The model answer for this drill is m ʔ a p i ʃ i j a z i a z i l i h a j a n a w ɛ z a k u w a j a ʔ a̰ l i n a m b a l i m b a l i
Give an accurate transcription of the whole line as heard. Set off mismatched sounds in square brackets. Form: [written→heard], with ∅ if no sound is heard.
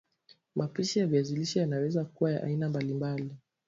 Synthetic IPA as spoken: m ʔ a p i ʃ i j a [z→v] i a z i l i [h→ʃ] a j a n a w ɛ z a k u w a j a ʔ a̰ [l→∅] i n a m b a l i m b a l i